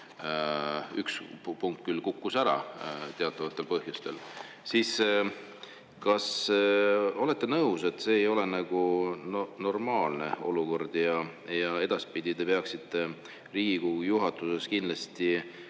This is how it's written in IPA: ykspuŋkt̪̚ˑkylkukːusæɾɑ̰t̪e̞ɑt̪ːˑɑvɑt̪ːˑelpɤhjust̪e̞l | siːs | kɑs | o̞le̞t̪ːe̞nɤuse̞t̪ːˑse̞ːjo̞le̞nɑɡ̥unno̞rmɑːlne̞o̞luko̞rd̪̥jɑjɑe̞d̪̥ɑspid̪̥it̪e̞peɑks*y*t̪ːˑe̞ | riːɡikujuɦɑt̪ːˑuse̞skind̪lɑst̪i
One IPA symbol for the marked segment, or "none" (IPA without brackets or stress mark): i